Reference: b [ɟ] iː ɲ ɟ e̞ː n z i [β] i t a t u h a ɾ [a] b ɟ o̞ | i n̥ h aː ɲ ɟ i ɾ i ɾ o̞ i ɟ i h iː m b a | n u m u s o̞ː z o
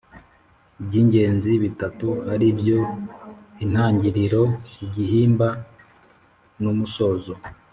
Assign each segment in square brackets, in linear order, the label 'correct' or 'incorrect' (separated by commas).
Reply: correct, correct, incorrect